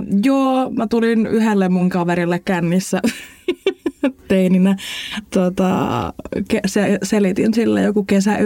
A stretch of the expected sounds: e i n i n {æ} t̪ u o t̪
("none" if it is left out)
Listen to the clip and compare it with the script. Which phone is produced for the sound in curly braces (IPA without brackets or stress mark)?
æ